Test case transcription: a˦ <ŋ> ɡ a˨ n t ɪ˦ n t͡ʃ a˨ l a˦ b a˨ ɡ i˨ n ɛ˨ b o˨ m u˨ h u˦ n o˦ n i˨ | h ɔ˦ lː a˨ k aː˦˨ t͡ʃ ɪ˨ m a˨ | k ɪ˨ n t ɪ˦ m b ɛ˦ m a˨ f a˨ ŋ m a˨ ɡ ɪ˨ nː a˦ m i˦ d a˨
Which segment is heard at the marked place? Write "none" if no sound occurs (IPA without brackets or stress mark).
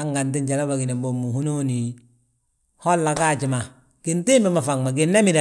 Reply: ŋ